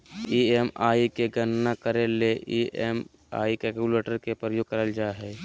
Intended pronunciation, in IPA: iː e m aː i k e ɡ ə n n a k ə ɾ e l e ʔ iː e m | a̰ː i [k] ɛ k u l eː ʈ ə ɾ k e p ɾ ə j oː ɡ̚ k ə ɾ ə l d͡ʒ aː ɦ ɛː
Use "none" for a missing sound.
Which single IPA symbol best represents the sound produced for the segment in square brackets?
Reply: k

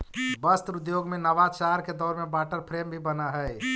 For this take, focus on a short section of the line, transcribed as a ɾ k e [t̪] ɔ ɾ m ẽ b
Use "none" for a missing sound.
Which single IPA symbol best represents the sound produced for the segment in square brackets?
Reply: d̪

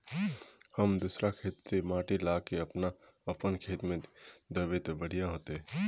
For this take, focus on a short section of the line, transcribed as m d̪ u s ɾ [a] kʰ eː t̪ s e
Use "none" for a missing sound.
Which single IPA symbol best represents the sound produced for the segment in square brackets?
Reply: a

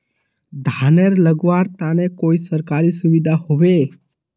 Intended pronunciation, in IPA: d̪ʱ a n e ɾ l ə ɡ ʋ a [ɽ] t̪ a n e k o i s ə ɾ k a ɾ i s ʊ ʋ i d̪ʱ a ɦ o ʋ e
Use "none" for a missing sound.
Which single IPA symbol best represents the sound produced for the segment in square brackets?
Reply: ɾ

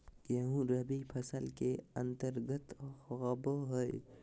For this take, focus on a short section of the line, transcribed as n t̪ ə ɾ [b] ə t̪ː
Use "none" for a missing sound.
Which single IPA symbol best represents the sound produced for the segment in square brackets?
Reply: ɡ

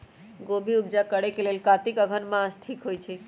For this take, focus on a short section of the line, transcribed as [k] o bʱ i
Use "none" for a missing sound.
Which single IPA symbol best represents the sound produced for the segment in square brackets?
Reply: ɡ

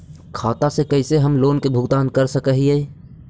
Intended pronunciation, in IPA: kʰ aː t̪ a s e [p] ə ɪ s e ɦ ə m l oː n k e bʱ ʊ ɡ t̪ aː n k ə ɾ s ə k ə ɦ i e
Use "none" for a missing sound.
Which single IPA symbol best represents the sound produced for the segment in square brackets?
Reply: k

